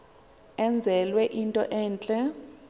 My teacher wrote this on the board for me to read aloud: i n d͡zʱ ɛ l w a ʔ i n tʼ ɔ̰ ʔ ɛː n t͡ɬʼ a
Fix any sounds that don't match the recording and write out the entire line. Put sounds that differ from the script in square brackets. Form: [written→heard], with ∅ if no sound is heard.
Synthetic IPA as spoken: [i→ɛ] n d͡zʱ ɛ l w [a→ɛ] ʔ i n tʼ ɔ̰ ʔ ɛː n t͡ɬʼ [a→ɛ]